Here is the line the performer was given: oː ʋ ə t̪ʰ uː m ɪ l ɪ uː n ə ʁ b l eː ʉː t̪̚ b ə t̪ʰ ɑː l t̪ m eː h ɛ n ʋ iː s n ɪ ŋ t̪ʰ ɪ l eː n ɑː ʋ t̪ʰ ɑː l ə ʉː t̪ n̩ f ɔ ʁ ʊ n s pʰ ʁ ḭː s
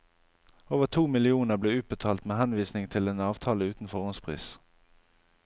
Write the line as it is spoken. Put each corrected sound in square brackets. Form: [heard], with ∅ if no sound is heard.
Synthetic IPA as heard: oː ʋ ə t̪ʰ uː m ɪ l ɪ uː n ə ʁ b l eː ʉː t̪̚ b ə t̪ʰ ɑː l t̪ m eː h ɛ n ʋ iː s n ɪ ŋ t̪ʰ ɪ l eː n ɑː ʋ t̪ʰ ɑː l ə ʉː t̪ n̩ f ɔ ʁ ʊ n s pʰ ʁ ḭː s